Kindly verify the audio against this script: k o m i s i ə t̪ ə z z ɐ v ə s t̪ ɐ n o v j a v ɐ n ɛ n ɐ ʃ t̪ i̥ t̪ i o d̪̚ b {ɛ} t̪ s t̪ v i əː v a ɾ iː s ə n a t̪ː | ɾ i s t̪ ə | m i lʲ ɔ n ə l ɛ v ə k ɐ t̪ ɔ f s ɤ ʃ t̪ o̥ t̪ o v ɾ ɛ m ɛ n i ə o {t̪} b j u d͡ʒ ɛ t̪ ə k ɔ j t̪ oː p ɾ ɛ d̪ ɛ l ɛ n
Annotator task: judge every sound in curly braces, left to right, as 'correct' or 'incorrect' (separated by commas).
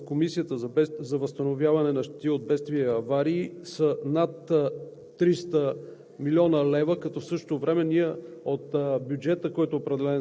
correct, correct